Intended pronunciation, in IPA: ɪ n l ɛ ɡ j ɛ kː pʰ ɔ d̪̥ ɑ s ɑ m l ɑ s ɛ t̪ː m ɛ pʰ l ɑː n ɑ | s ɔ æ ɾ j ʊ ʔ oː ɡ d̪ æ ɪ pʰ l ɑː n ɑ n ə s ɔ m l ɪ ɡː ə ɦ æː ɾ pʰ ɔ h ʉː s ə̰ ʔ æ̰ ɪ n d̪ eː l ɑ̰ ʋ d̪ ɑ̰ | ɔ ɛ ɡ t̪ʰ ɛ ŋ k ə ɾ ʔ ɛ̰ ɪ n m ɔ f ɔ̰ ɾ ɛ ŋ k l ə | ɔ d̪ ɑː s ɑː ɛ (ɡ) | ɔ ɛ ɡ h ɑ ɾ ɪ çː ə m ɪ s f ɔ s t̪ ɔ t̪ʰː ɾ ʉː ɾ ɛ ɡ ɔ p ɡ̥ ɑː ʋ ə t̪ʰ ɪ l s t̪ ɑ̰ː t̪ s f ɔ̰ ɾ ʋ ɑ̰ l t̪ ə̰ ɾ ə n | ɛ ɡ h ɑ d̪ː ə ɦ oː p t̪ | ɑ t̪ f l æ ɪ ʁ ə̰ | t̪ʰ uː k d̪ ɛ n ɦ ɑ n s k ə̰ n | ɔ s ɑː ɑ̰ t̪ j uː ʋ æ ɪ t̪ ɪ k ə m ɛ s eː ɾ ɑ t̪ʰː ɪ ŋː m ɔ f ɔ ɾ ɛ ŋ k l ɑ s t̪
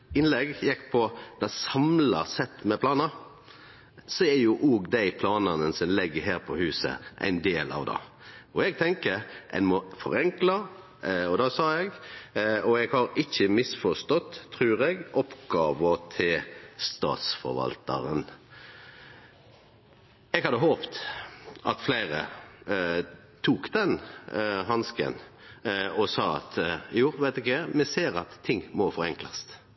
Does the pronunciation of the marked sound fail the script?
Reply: no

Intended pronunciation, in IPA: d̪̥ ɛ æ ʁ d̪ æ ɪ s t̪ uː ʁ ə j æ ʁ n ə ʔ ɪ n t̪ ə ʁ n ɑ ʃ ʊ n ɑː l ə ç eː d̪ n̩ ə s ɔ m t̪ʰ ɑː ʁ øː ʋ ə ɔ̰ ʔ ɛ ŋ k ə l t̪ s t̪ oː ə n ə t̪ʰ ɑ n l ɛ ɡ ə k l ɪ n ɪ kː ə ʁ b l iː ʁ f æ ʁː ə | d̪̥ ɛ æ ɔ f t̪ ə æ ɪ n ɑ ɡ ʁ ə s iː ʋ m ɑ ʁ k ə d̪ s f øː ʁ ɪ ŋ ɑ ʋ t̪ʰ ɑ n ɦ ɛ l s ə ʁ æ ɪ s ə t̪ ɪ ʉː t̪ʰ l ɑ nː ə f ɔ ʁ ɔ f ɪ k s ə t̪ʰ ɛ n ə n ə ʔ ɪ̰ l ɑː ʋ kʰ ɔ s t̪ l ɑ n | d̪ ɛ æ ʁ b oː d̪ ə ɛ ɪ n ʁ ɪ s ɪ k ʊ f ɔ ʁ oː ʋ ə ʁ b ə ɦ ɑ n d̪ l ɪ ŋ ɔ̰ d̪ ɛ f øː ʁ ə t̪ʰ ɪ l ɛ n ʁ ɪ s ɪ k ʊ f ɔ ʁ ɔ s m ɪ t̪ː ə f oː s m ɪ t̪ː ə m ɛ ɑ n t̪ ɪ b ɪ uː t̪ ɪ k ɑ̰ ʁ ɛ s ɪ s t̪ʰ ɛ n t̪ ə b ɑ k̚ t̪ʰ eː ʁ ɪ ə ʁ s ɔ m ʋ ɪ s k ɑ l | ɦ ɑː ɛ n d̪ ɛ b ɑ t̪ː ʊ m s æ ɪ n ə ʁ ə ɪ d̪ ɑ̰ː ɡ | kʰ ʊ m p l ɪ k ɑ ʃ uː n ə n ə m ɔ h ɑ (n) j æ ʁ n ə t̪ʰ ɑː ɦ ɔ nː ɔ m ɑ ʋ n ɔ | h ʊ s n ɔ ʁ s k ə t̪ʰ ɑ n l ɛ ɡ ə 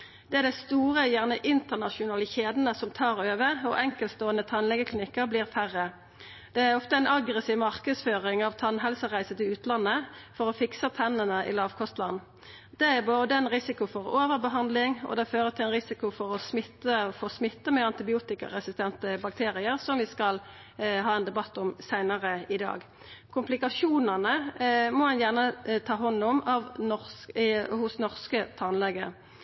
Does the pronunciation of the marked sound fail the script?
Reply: no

